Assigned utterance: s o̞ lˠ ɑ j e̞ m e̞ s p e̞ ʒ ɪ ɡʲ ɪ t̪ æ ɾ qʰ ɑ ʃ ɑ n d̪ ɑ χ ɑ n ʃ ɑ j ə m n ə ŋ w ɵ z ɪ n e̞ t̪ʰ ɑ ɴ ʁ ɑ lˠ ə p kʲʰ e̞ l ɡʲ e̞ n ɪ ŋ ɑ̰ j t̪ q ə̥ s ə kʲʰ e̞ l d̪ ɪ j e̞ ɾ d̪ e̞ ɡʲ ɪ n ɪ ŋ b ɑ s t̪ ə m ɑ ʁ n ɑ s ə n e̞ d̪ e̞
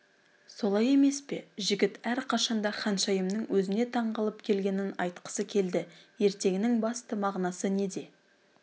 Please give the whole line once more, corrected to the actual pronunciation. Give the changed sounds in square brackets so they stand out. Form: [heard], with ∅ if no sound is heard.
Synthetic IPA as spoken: s o̞ lˠ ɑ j e̞ m e̞ s p e̞ ʒ ɪ ɡʲ ɪ t̪ æ ɾ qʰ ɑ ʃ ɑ n d̪ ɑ χ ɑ n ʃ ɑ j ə m n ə ŋ w ɵ z ɪ n e̞ t̪ʰ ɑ ɴ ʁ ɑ lˠ ə p kʲʰ e̞ l ɡʲ e̞ n ɪ [n] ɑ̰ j t̪ q ə̥ s ə kʲʰ e̞ l d̪ ɪ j e̞ ɾ [t̪] e̞ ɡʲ ɪ n ɪ ŋ b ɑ s t̪ ə m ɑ ʁ n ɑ s ə n e̞ d̪ e̞